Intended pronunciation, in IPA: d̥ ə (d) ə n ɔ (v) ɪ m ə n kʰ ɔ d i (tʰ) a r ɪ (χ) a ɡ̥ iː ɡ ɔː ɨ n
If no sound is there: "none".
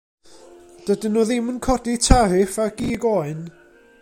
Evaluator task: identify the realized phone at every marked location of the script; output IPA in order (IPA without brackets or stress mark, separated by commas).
d, ð, tʰ, f